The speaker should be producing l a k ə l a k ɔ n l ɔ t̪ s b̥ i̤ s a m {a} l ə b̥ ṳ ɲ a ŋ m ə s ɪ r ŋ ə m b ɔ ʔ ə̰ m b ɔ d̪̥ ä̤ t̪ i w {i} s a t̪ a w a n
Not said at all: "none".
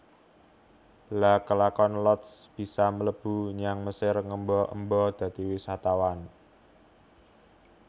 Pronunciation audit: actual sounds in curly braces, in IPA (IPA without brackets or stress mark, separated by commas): ə, i